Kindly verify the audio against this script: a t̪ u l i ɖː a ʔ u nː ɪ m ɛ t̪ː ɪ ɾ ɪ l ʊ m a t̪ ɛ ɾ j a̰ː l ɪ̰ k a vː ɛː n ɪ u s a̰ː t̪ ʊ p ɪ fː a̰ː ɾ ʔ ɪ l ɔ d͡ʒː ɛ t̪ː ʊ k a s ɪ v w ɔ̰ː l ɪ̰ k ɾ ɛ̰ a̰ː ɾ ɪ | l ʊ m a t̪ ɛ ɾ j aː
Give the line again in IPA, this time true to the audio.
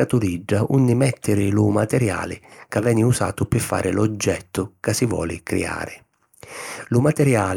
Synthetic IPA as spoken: a t̪ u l i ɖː a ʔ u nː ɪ m ɛ t̪ː ɪ ɾ ɪ l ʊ m a t̪ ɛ ɾ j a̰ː l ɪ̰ k a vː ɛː n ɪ u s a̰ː t̪ ʊ p ɪ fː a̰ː ɾ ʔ ɪ l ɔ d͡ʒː ɛ t̪ː ʊ k a s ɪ v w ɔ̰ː l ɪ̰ k ɾ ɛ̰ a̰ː ɾ ɪ | l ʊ m a t̪ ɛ ɾ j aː